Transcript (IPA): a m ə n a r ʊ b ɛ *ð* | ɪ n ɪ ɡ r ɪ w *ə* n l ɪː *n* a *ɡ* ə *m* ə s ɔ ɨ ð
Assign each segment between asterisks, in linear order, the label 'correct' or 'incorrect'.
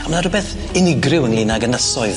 incorrect, correct, correct, correct, incorrect

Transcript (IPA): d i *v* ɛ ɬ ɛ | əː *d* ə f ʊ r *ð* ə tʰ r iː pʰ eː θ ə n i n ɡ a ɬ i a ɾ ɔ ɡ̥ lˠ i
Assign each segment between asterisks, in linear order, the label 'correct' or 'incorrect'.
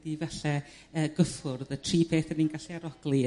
correct, incorrect, correct

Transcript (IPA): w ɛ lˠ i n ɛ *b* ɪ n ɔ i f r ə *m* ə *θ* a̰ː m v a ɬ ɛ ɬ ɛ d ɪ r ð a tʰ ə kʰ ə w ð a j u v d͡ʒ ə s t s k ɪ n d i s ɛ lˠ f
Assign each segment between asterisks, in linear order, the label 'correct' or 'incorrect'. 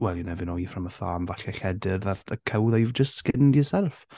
incorrect, correct, correct

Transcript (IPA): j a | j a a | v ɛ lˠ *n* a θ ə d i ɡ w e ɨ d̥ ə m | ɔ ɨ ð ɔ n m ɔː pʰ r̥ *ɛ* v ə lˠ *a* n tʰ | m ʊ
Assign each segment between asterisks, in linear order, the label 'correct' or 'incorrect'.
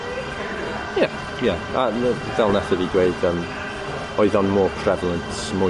correct, correct, incorrect

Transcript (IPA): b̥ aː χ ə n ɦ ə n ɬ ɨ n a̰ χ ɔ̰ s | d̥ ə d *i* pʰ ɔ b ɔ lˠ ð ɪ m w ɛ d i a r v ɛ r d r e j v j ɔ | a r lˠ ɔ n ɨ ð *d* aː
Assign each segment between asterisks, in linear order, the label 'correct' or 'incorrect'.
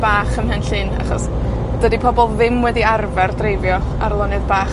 correct, incorrect

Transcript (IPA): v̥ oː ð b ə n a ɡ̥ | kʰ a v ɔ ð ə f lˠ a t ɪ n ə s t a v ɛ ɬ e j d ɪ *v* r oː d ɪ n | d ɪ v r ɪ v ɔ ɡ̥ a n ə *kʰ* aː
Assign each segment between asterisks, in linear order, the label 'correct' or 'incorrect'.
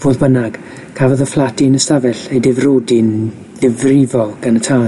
correct, incorrect

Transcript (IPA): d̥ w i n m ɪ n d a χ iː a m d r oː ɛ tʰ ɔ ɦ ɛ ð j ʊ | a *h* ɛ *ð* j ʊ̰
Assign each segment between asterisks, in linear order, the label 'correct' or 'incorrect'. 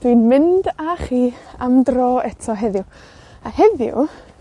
correct, correct

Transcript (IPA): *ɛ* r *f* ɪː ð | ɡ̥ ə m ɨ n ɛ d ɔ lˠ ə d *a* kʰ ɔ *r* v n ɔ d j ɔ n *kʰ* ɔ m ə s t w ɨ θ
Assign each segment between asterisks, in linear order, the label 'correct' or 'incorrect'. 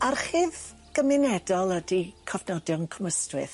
incorrect, incorrect, incorrect, incorrect, correct

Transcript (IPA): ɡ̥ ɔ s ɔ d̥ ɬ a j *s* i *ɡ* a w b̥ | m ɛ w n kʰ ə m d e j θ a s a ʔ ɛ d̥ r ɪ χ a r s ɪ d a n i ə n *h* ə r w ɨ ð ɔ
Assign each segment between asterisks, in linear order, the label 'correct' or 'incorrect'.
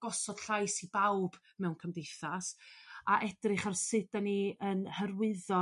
correct, incorrect, correct

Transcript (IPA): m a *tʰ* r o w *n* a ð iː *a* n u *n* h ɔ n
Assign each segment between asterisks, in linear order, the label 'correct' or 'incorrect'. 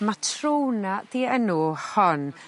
correct, correct, incorrect, incorrect

